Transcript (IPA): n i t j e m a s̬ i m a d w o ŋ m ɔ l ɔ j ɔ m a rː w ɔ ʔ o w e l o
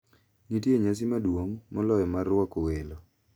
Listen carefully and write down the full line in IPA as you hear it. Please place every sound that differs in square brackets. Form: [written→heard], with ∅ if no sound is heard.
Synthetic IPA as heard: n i t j e [m→ɲ] a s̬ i m a d w o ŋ m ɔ l ɔ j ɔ m a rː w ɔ [ʔ→k] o w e l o